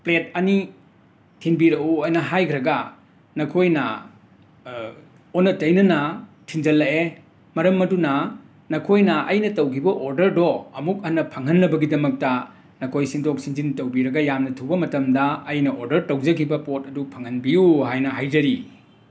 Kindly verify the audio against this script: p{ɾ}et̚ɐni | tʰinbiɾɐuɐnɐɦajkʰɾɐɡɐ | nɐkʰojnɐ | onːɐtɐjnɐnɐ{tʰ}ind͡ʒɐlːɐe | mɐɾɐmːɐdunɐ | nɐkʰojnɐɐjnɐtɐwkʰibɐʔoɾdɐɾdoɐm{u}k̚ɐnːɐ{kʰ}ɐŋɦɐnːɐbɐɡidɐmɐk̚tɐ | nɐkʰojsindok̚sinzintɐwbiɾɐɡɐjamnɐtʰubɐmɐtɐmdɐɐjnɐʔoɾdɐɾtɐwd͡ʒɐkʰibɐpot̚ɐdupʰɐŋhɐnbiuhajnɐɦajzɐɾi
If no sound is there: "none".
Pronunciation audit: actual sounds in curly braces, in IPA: l, tʰ, u, pʰ

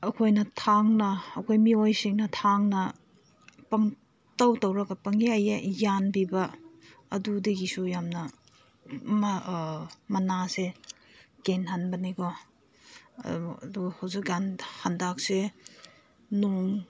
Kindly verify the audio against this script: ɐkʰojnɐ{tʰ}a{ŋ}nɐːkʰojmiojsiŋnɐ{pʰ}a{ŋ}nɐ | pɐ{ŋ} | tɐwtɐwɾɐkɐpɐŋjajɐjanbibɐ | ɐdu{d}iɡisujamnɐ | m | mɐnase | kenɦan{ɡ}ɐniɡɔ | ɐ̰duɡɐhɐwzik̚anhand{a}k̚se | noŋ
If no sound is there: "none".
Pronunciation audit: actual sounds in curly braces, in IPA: tʰ, ŋ, tʰ, ŋ, ŋ, d, b, a

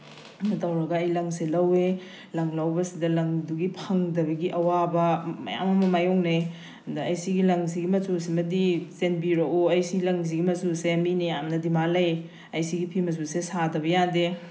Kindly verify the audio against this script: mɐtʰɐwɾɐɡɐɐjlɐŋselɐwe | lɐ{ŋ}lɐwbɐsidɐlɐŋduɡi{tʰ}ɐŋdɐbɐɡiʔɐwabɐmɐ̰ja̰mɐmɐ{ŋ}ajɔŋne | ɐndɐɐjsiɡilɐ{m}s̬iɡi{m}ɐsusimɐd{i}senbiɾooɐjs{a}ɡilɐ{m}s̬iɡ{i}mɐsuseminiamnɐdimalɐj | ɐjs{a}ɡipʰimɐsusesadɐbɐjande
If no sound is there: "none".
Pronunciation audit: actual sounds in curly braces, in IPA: ŋ, pʰ, m, ŋ, m, i, i, ŋ, i, i

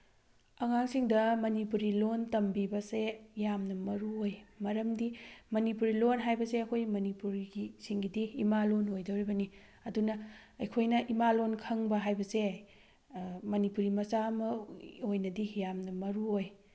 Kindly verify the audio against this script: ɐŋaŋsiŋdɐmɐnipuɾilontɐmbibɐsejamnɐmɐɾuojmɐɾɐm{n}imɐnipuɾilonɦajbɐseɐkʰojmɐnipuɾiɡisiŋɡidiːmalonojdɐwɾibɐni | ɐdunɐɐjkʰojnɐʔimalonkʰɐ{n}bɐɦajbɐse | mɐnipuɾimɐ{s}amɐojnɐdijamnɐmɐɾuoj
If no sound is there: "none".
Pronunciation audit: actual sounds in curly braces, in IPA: d, ŋ, s

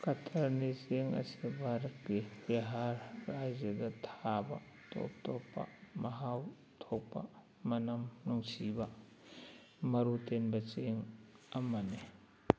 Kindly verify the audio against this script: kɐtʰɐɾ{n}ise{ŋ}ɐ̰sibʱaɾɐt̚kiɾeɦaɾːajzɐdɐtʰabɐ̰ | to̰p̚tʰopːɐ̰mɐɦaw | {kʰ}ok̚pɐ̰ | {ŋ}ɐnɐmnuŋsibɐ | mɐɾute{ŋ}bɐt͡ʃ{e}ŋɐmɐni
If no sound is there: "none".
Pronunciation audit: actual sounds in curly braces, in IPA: n, ŋ, tʰ, m, n, e

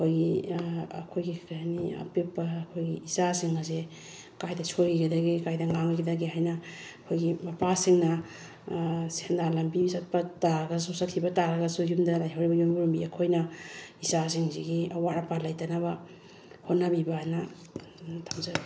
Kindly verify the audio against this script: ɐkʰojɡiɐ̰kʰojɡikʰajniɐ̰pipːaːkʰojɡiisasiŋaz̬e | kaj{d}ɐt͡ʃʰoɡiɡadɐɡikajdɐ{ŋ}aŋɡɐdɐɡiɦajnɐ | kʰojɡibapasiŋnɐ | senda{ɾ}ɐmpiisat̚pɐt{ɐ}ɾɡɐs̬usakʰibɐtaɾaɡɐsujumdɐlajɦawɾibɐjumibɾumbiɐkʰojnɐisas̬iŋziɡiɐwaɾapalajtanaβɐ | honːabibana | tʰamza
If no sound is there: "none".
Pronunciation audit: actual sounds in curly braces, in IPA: d, ŋ, l, a

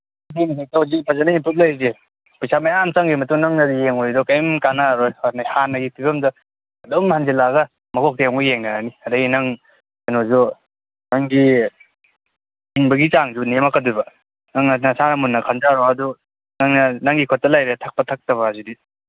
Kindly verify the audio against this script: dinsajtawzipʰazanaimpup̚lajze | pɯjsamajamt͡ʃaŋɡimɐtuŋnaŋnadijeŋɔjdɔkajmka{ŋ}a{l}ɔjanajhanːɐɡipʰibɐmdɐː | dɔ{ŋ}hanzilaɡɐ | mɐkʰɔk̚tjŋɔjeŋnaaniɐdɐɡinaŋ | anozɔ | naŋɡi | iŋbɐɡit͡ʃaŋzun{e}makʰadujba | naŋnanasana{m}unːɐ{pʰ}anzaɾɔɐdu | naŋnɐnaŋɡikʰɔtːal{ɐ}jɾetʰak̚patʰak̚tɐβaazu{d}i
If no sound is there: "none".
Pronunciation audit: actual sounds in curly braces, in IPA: n, ɾ, m, e, m, kʰ, a, d

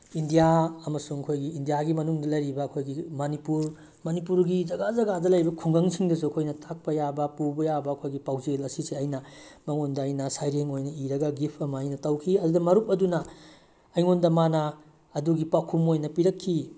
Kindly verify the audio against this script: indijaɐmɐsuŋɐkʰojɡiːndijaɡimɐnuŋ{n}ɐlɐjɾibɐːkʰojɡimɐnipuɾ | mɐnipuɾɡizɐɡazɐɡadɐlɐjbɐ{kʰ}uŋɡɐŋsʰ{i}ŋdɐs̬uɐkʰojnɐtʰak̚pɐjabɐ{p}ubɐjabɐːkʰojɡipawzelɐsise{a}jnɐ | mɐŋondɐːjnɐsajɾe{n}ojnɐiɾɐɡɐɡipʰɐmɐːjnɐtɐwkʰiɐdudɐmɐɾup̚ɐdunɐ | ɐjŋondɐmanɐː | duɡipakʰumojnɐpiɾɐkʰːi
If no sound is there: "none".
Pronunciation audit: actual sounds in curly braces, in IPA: d, kʰ, i, p, ɐ, ŋ

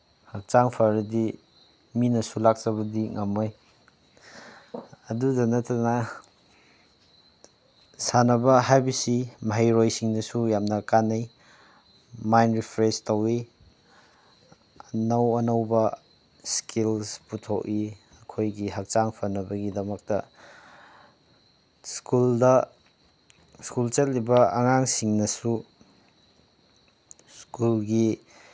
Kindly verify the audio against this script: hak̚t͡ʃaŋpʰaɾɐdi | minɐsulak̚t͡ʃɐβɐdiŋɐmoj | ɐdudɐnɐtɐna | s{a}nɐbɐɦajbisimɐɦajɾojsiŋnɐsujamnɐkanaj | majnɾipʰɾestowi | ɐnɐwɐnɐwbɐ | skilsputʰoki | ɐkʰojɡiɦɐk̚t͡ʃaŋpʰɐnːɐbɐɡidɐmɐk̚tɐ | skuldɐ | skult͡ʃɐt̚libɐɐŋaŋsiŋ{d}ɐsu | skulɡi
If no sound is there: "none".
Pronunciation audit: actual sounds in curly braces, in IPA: a, n

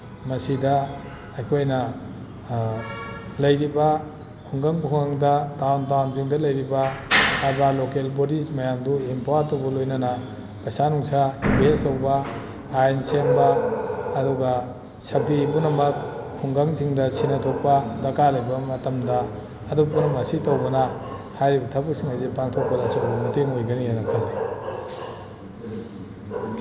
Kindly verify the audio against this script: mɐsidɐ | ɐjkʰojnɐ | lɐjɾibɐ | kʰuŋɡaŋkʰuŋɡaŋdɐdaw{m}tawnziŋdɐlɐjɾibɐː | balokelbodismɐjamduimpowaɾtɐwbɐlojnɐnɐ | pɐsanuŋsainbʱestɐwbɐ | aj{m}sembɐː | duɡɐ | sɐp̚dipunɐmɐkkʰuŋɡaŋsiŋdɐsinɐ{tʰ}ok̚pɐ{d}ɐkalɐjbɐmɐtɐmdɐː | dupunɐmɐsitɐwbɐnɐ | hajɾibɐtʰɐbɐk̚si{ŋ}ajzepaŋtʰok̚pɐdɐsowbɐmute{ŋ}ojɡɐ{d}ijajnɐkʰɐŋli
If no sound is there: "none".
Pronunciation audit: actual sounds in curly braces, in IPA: n, n, tʰ, d, ŋ, ŋ, n

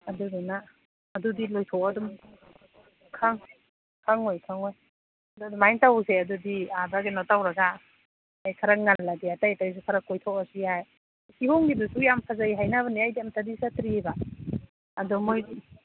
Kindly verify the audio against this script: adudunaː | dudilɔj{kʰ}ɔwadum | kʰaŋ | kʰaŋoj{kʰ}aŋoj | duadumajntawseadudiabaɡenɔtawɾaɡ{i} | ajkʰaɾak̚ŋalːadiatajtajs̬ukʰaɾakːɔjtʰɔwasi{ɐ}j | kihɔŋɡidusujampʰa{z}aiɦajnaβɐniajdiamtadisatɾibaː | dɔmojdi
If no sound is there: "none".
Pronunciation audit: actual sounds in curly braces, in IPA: tʰ, kʰ, a, a, z

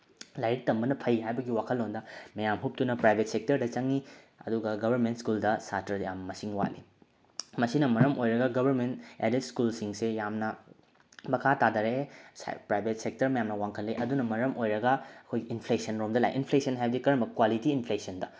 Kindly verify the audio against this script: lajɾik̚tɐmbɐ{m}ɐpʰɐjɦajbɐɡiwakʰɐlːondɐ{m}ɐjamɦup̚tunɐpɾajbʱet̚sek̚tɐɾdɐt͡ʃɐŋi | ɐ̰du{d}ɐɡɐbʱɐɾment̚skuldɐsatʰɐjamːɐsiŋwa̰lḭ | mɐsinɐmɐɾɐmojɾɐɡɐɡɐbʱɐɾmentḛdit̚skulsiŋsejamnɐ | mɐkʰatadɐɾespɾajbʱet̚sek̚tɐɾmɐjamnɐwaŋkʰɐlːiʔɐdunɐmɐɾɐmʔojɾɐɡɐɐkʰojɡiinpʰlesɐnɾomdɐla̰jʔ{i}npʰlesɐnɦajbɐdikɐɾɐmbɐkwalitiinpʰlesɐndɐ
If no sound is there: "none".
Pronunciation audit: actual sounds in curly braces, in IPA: n, m, ɡ, i

